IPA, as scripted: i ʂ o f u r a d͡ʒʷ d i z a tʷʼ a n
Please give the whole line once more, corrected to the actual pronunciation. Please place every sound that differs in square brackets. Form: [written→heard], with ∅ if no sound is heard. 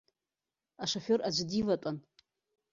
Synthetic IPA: [i→a] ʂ o f [u→o] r a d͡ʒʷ d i [z→v] a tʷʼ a n